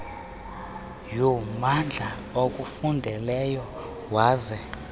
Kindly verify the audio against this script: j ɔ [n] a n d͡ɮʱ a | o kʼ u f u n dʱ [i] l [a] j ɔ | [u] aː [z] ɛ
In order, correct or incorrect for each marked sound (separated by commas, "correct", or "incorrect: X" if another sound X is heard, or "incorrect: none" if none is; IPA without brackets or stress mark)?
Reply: incorrect: m, incorrect: ɛ, incorrect: ɛ, incorrect: w, correct